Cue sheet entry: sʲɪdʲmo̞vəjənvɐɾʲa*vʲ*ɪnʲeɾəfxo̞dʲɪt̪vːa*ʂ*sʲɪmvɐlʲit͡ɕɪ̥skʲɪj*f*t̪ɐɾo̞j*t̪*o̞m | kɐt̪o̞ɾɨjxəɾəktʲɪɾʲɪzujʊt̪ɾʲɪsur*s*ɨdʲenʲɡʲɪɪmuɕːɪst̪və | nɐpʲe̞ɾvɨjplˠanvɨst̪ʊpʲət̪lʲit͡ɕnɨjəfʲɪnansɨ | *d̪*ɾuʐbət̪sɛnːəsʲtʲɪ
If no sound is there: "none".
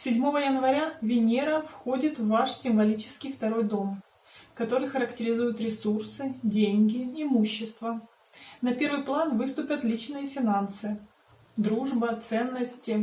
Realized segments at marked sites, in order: vʲ, ʂ, f, d̪, s, d̪

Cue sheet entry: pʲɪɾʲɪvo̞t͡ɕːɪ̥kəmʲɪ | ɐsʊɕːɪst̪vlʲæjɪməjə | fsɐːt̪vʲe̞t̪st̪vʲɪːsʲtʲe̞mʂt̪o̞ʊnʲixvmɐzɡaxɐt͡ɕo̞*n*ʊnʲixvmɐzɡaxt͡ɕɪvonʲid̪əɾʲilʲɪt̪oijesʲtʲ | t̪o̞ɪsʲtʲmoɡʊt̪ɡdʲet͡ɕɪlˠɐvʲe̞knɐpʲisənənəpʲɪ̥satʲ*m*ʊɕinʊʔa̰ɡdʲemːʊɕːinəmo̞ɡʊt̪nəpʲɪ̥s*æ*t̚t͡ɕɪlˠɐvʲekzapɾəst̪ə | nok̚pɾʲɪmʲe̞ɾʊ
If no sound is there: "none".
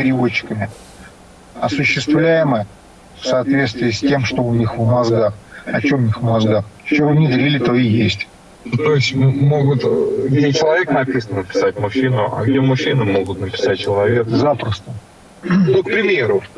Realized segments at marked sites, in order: m, m, a

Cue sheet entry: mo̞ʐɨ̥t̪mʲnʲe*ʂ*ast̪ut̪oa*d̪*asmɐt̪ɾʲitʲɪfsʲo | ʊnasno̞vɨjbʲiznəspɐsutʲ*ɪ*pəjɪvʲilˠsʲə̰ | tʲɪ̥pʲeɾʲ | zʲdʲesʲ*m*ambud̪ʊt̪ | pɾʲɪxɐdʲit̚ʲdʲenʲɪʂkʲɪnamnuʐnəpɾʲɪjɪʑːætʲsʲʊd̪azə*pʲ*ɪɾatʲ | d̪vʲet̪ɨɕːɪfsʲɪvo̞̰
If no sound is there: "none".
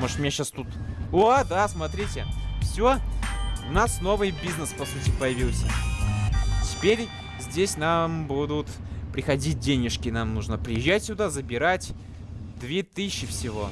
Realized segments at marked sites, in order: ɕ, d̪, ɪ, n, bʲ

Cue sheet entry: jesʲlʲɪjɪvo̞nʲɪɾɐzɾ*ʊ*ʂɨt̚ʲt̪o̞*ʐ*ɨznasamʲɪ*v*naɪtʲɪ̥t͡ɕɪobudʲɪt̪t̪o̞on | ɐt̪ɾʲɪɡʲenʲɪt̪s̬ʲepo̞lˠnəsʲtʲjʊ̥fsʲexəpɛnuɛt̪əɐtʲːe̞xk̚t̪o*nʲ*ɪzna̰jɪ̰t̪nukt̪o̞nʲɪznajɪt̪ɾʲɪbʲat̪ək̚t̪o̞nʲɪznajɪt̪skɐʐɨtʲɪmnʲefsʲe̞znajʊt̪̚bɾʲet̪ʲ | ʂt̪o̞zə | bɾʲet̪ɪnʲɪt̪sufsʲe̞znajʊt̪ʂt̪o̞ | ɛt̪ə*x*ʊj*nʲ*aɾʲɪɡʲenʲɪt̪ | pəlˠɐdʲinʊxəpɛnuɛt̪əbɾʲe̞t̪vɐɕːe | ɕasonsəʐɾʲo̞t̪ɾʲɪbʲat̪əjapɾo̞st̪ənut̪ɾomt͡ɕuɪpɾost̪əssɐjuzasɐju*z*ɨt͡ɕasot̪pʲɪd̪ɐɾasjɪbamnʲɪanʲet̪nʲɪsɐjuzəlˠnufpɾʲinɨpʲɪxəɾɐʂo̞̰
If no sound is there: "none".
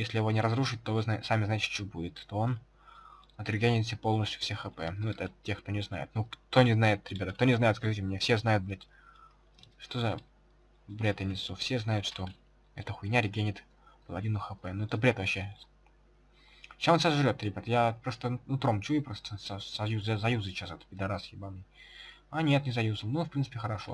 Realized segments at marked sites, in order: u, v, z, nʲ, x, nʲ, z

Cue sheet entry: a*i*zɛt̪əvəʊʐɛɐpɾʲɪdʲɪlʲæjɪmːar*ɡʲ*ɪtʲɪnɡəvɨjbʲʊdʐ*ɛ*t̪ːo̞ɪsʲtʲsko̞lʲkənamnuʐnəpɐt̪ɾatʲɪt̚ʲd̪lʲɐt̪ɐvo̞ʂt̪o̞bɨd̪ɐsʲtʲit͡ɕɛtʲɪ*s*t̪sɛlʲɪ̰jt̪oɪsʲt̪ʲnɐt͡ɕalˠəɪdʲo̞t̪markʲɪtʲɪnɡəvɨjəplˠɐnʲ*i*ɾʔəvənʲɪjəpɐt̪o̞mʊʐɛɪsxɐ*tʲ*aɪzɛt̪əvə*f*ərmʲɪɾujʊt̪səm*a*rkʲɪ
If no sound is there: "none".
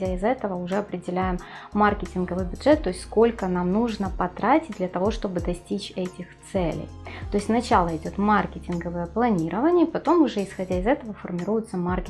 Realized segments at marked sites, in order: ɪ, kʲ, ɛ, x, i, dʲ, f, a

